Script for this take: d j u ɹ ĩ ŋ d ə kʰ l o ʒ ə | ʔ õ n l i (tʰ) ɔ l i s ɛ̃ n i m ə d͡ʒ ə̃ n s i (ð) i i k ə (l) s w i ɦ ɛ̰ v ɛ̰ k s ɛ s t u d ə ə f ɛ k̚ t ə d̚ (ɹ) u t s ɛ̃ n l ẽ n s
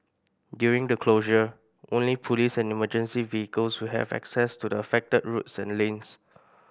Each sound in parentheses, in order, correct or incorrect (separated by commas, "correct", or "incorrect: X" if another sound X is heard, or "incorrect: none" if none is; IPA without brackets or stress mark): incorrect: pʰ, incorrect: v, correct, correct